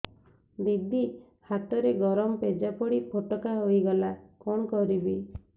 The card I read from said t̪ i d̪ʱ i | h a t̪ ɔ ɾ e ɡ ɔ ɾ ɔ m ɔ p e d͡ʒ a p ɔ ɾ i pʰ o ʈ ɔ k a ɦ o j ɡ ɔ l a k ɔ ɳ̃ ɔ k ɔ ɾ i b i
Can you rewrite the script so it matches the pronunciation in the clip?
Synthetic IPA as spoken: d̪ i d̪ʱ i | h a t̪ ɔ ɾ e ɡ ɔ ɾ ɔ m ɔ p e d͡ʒ a p ɔ ɽ i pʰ o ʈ ɔ k a ɦ o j ɡ ɔ l a k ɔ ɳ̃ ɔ k ɔ ɾ i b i